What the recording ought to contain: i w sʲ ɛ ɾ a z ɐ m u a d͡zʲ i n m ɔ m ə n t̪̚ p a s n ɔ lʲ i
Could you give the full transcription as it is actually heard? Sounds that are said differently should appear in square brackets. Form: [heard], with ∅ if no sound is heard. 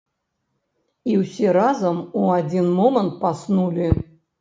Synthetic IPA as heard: i w sʲ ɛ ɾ a z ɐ m u a d͡zʲ i n m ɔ m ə n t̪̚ p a s n [u] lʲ i